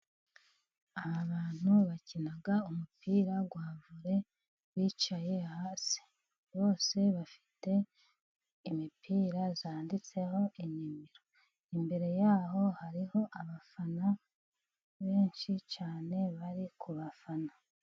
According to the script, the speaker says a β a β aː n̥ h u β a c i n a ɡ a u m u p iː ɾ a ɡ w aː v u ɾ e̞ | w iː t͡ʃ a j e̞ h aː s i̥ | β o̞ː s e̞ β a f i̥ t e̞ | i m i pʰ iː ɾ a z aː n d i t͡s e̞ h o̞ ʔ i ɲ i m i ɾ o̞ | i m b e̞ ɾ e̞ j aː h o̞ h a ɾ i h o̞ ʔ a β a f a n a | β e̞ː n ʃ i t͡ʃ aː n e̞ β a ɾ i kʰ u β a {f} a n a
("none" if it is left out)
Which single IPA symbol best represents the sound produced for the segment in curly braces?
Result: f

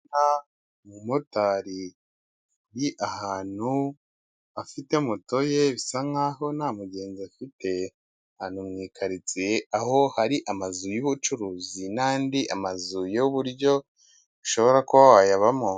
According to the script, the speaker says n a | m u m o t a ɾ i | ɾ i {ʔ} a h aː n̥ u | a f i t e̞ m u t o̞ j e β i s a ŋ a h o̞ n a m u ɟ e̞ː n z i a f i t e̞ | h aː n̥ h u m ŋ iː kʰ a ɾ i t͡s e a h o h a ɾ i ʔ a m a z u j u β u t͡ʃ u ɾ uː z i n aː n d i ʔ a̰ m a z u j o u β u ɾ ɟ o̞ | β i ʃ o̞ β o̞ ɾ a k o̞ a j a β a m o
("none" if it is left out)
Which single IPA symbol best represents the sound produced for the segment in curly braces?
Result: ʔ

